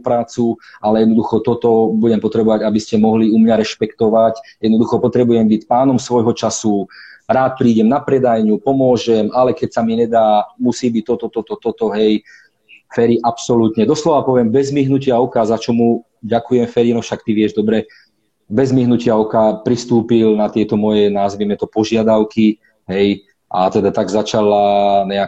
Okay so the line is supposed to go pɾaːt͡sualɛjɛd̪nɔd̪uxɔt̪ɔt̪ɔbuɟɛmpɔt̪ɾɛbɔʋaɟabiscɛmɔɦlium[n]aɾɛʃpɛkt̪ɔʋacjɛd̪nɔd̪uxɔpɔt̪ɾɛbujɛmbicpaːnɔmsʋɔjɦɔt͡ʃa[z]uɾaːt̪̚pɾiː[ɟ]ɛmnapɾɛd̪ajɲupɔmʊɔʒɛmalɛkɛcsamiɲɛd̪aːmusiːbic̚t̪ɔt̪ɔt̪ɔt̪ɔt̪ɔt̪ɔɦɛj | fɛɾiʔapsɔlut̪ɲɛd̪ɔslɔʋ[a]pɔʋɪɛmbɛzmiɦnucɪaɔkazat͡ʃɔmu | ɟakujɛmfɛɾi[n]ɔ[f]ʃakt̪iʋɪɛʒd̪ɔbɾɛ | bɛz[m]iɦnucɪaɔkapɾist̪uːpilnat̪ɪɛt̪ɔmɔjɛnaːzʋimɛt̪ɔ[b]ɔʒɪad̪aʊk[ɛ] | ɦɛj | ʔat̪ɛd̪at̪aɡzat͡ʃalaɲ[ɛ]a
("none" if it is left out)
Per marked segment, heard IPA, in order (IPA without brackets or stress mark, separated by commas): ɲ, s, ɟ, a, n, f, m, p, i, ɛ